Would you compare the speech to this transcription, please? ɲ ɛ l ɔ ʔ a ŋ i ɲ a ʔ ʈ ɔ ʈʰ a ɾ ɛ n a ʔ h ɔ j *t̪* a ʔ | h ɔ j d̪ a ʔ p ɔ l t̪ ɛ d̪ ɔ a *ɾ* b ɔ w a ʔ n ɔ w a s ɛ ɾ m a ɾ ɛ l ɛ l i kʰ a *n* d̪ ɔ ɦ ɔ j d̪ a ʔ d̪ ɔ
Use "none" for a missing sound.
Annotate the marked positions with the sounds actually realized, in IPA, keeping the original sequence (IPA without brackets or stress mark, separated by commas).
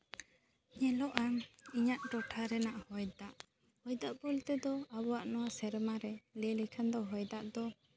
d̪, none, n